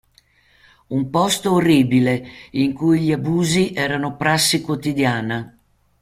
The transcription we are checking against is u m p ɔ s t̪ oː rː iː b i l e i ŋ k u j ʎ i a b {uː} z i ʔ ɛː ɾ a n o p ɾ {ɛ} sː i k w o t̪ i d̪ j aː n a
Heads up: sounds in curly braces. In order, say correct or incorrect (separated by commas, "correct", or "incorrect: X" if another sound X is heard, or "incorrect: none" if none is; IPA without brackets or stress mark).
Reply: correct, incorrect: a